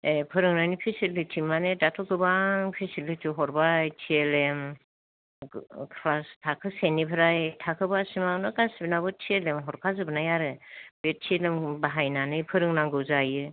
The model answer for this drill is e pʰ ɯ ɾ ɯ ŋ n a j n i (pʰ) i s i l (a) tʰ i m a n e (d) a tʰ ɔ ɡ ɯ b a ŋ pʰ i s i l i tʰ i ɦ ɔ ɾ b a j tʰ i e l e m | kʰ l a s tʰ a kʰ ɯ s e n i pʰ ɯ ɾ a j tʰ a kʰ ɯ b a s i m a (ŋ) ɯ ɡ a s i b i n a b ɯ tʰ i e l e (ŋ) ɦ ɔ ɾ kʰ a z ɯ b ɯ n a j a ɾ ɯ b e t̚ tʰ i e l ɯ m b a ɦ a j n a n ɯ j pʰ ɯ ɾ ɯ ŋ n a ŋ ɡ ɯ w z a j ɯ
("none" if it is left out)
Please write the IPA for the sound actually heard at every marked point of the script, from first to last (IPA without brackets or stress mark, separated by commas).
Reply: pʰ, i, d, n, m